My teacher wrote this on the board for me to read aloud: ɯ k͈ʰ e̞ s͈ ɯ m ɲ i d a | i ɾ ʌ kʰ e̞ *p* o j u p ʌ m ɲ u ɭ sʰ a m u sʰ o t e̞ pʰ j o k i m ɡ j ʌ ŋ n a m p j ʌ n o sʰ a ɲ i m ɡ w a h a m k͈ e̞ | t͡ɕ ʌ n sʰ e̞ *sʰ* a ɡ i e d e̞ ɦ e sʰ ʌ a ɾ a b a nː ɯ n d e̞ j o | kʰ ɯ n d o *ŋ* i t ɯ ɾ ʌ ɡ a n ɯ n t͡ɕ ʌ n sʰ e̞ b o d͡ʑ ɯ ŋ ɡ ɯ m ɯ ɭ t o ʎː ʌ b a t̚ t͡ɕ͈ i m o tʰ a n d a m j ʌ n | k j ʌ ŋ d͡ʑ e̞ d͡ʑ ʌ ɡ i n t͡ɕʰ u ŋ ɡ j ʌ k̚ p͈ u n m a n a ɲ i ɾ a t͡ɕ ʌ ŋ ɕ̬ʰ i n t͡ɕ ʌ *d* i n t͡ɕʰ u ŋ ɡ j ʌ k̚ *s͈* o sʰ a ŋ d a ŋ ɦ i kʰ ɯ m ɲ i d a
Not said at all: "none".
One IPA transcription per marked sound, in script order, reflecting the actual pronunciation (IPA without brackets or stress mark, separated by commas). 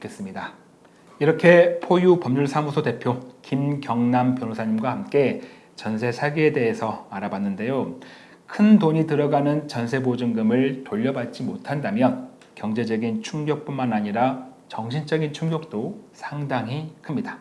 pʰ, sʰ, ɲ, ɡ, t͈